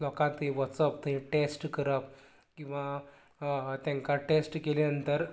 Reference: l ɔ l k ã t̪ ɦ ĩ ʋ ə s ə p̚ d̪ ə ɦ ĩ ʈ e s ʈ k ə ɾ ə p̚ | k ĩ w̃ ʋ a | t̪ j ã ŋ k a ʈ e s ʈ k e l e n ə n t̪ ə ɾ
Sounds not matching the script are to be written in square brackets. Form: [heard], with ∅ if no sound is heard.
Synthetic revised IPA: l ɔ [∅] k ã t̪ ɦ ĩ ʋ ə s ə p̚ [t̪] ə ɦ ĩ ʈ e s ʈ k ə ɾ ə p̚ | k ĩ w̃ ʋ a | t̪ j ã ŋ k a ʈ e s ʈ k e l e n ə n t̪ ə ɾ